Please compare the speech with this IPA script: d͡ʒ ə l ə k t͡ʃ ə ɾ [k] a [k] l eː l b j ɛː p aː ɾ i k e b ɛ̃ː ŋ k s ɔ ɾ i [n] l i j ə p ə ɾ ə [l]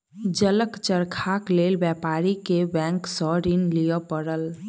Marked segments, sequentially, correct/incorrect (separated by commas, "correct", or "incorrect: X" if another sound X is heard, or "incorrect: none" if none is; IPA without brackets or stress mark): incorrect: kʰ, correct, correct, correct